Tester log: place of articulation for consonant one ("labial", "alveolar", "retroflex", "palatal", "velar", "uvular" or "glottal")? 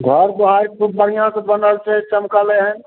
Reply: velar